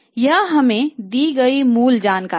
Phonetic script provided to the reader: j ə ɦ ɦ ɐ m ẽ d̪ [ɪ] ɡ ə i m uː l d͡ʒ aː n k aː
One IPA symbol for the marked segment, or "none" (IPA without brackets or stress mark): i